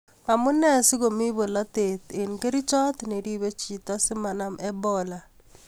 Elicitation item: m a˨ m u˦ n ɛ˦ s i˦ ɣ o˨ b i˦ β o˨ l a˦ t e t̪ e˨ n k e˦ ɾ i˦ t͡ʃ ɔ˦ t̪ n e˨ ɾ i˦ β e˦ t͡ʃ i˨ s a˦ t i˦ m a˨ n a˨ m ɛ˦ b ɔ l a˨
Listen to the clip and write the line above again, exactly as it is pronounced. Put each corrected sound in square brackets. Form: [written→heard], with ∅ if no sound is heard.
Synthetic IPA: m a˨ m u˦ n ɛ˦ s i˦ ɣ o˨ [b→m] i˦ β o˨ l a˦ t e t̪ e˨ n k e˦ ɾ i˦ t͡ʃ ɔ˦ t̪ n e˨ ɾ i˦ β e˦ t͡ʃ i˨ [s→t] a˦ [t→s] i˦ m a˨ n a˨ m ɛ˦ b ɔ l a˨